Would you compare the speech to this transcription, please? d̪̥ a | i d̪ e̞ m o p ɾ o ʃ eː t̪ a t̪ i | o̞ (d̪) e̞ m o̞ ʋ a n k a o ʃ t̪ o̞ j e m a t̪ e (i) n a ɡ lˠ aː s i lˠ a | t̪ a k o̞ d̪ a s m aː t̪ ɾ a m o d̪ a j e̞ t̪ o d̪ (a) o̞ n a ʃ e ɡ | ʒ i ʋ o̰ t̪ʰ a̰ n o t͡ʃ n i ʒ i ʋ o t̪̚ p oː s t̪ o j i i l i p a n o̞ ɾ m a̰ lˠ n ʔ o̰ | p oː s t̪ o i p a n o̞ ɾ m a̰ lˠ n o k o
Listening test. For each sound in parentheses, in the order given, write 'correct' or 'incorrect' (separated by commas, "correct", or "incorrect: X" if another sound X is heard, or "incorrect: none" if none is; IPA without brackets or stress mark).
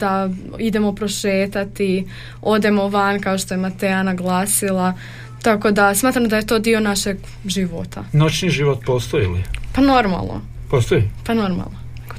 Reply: correct, incorrect: a, incorrect: i